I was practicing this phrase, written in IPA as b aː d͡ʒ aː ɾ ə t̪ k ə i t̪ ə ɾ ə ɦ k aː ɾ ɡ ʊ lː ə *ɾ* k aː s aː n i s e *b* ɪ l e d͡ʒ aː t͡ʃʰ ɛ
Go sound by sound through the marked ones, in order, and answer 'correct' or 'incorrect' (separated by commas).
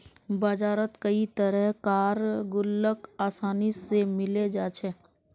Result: incorrect, incorrect